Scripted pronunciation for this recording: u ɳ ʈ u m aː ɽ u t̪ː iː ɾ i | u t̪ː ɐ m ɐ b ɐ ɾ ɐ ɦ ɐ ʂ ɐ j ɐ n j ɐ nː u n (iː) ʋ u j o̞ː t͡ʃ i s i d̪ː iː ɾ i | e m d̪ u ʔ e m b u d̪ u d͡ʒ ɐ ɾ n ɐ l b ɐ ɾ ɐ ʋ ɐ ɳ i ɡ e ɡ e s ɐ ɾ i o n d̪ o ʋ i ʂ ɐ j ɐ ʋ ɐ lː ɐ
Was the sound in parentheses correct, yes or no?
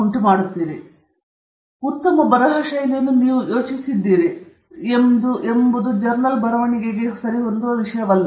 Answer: yes